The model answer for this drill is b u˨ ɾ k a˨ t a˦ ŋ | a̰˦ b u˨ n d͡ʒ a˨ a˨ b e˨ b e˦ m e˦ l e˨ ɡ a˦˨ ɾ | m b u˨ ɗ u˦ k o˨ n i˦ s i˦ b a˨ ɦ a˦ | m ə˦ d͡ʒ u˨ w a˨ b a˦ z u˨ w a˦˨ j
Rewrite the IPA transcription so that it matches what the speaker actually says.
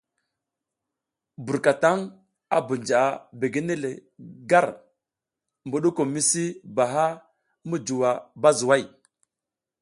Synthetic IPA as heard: b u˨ ɾ k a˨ t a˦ ŋ | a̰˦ b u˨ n d͡ʒ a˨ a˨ b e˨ ɡ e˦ n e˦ l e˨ ɡ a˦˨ ɾ | m b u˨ ɗ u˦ k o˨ m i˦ s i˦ b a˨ ɦ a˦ | m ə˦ d͡ʒ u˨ w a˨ b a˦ z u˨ w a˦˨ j

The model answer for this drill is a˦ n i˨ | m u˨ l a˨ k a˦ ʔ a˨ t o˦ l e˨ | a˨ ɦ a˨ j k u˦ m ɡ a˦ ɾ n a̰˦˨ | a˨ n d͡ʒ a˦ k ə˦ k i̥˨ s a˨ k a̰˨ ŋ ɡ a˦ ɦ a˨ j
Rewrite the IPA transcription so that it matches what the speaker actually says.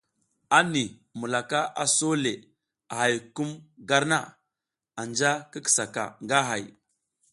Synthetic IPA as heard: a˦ n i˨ | m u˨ l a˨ k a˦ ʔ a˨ s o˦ l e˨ | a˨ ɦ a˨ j k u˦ m ɡ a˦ ɾ n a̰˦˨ | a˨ n d͡ʒ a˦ k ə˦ k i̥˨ s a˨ k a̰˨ ŋ ɡ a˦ ɦ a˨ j

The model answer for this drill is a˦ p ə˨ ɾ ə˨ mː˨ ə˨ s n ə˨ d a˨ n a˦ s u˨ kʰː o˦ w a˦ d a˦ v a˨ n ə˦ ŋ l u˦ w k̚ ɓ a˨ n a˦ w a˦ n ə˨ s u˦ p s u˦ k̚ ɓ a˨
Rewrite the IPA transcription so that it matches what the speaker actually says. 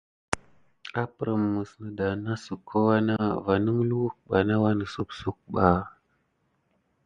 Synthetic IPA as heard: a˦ p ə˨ ɾ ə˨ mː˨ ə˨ s n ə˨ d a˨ n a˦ s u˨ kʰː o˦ w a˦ n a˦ v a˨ n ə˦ ŋ l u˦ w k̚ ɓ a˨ n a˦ w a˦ n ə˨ s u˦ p s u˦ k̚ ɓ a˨

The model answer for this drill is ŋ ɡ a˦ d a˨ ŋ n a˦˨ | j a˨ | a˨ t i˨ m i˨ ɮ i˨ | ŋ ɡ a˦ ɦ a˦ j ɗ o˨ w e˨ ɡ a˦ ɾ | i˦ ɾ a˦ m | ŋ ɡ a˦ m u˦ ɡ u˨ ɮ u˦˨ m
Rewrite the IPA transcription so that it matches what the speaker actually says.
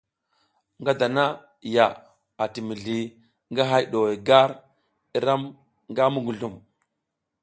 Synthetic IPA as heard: ŋ ɡ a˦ d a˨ n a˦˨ | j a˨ | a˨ t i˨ m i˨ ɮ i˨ | ŋ ɡ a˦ ɦ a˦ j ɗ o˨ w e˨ ɡ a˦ ɾ | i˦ ɾ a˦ m | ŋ ɡ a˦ m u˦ ɡ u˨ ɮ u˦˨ m

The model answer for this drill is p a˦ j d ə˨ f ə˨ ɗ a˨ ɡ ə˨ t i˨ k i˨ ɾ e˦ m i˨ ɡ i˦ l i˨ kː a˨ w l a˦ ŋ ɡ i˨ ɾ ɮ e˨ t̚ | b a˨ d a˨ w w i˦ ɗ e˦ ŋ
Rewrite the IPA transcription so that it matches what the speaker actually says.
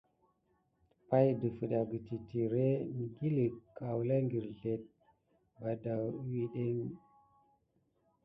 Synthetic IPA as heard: p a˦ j d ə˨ f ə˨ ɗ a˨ ɡ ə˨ t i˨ t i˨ ɾ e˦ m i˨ ɡ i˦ l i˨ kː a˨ w l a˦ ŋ ɡ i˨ ɾ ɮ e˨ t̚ | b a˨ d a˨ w w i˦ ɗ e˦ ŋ

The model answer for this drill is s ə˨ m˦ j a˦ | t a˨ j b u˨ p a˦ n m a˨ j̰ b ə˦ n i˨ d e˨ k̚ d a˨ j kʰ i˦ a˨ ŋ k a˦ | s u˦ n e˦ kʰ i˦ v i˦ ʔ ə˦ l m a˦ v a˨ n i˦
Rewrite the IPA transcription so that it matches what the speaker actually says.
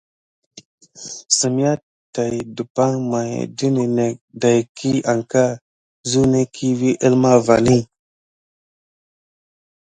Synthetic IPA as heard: s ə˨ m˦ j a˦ | t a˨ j d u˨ p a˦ ŋ m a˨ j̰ d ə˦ n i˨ n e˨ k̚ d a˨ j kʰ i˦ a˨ ŋ k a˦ | z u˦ n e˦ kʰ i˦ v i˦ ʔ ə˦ l m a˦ v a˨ n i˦

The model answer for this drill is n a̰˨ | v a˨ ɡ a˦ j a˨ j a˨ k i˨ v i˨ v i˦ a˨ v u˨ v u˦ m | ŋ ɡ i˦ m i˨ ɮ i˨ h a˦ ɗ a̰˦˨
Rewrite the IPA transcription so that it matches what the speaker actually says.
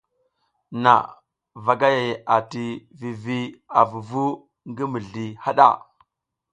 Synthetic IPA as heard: n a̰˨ | v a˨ ɡ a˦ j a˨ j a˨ t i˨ v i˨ v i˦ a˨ v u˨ v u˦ | ŋ ɡ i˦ m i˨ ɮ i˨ h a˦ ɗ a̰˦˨

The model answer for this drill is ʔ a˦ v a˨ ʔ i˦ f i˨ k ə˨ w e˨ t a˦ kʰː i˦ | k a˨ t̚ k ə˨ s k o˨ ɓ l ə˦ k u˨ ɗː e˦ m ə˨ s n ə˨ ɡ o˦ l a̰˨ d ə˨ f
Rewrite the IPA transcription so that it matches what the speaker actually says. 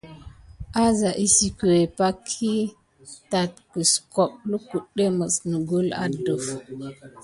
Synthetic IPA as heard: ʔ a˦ z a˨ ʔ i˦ s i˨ k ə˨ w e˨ p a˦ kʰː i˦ | t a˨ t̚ k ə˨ s k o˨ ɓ l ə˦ k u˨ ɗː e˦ m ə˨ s n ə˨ ɡ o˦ l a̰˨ d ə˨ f

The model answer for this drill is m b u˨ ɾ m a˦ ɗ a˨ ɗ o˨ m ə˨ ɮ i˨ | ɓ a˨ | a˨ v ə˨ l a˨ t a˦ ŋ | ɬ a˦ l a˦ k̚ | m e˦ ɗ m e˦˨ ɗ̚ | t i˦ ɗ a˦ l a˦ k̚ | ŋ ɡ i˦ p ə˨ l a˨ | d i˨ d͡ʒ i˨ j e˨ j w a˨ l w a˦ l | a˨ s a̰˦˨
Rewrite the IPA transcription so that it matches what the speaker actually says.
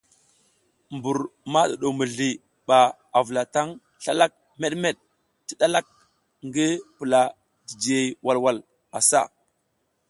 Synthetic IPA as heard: m b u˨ ɾ m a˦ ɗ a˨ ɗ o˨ m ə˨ ɮ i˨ | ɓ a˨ | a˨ v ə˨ l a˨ t a˦ ŋ | ɬ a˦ l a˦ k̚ | m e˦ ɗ m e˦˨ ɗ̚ | t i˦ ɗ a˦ l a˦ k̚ | ŋ ɡ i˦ p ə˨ l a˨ | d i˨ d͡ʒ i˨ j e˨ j w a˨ l w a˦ l | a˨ s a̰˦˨

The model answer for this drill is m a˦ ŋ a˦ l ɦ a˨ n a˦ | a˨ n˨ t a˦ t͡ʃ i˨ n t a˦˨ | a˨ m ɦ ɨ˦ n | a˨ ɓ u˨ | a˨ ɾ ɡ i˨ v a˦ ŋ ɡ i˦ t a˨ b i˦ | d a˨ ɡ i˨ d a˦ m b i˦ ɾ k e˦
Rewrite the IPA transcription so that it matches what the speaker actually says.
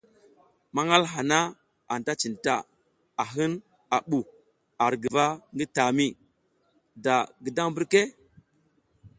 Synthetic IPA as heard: m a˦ ŋ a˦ l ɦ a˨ n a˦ | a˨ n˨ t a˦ t͡ʃ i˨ n t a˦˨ | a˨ ɦ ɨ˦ n | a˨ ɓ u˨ | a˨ ɾ ɡ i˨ v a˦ ŋ ɡ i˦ t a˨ m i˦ | d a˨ ɡ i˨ d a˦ ŋ b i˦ ɾ k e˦

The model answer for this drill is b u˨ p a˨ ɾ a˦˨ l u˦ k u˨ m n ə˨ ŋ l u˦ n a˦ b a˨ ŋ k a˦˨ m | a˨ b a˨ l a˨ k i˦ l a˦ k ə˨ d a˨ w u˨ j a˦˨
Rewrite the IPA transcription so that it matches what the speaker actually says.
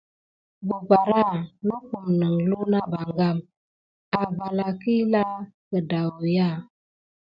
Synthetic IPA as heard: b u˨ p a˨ ɾ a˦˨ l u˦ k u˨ m n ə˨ ŋ l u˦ n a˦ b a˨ ŋ ɡ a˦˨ m | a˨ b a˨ l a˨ k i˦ l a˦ k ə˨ d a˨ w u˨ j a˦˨

